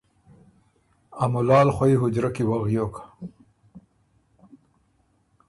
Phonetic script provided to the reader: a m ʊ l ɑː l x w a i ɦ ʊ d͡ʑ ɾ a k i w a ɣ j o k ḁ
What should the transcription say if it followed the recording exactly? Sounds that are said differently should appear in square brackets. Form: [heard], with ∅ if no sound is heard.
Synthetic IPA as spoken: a m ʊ l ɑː l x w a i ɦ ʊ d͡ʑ ɾ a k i w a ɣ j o k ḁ

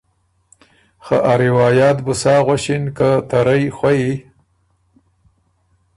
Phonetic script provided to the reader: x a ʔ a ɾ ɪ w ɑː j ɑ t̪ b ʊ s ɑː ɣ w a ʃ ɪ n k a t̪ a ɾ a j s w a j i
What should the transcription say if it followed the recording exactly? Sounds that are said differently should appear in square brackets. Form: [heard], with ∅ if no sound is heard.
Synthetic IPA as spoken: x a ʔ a ɾ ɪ w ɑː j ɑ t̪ b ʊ s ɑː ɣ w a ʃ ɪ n k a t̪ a ɾ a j [x] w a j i

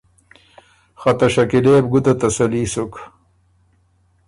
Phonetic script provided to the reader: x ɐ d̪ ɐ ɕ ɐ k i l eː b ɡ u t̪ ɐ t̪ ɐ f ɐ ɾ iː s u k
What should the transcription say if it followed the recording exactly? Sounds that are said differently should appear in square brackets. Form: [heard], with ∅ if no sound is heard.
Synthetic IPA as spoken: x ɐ [t̪] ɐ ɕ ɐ k i l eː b ɡ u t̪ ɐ t̪ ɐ [s] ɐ [l] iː s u k

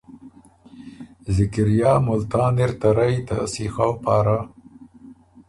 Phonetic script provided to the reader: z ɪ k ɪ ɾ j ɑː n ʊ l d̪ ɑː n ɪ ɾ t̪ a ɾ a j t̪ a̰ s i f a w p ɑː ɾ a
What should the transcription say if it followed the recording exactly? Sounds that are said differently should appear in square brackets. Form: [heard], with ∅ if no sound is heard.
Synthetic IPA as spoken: z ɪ k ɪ ɾ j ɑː [m] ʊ l [t̪] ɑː n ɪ ɾ t̪ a ɾ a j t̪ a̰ s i [x] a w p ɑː ɾ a

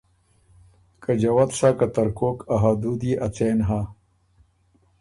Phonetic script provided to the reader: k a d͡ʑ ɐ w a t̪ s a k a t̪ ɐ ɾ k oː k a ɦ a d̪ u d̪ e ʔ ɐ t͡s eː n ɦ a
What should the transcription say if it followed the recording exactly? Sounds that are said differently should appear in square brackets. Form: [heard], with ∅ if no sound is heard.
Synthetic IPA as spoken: k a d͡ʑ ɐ w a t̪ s a k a t̪ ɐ ɾ k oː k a ɦ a d̪ u d̪ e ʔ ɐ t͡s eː n ɦ a

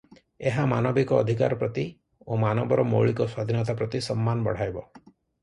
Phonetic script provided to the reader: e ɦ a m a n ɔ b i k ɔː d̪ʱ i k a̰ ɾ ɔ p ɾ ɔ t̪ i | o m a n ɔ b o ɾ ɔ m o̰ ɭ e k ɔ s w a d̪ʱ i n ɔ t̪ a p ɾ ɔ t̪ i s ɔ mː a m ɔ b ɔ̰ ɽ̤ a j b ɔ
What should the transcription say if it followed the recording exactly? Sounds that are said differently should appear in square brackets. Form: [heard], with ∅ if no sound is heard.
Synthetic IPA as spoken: e ɦ a m a n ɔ b i k ɔː d̪ʱ i k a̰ ɾ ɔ p ɾ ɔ t̪ i | o m a n ɔ b [ɔ] ɾ ɔ m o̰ ɭ [i] k ɔ s w a d̪ʱ i n ɔ t̪ a p ɾ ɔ t̪ i s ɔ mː a [n] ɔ b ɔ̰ ɽ̤ a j b ɔ

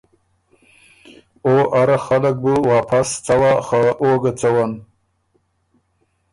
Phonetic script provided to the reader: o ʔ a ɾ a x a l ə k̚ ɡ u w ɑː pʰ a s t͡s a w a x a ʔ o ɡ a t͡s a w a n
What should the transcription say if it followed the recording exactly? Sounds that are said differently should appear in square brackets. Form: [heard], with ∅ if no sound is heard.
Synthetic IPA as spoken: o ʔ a ɾ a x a l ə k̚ [b] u w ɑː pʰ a s t͡s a w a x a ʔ o ɡ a t͡s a w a n

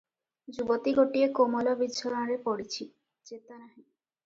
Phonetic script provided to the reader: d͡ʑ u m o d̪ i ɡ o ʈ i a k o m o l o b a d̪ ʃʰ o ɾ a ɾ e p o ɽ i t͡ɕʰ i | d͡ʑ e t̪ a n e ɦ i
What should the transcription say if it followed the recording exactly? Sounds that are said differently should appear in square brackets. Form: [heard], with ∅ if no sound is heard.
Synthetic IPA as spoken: d͡ʑ u [b] o [t̪] i ɡ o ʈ i [e] k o m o l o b [i] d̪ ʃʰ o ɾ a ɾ e p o ɽ i t͡ɕʰ i | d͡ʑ e t̪ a n [a] ɦ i

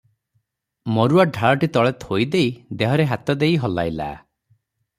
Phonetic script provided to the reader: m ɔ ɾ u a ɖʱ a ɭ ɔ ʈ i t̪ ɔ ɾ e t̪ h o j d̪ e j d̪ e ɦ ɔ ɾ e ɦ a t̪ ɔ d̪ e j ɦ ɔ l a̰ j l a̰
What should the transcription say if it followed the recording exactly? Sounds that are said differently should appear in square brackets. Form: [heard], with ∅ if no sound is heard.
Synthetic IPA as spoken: m ɔ ɾ u a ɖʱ a ɭ ɔ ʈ i t̪ ɔ [ɭ] e t̪ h o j d̪ e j d̪ e ɦ ɔ ɾ e ɦ a t̪ ɔ d̪ e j ɦ ɔ l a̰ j l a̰

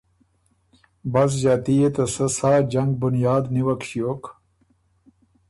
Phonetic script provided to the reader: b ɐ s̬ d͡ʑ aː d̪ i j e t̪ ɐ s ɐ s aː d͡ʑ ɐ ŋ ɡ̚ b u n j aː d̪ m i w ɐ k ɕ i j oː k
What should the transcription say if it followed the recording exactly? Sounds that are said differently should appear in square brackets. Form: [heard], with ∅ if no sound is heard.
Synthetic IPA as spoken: b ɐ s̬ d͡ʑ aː [t̪] i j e t̪ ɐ s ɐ s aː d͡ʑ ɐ ŋ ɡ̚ b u n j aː d̪ [n] i w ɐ k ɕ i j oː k

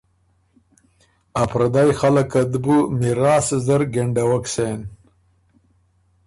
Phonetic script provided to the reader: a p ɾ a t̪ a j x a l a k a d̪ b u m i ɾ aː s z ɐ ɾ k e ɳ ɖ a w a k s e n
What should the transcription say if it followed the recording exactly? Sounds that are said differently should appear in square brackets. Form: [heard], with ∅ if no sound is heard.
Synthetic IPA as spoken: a p ɾ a [d̪] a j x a l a k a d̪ b u m i ɾ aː s z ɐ ɾ [ɡ] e ɳ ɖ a w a k s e n

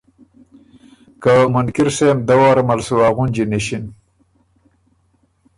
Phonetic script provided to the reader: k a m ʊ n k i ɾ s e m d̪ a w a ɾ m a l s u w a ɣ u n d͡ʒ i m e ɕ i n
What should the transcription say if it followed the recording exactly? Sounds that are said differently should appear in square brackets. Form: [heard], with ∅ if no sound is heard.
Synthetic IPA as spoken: k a m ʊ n k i ɾ s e m d̪ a w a ɾ m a l s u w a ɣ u n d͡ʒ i [n] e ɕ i n

